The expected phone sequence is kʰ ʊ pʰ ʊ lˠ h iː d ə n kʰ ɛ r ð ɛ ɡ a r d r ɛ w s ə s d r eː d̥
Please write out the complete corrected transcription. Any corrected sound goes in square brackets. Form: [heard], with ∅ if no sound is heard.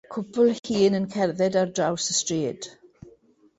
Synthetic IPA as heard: kʰ ʊ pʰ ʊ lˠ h iː [n] ə n kʰ ɛ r ð ɛ [d] a r d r [a] w s ə s [t] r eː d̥